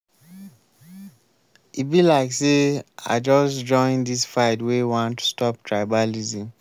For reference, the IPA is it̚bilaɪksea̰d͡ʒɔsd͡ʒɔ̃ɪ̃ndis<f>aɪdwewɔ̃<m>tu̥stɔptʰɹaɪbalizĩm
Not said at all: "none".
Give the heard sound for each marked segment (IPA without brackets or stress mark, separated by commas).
f, n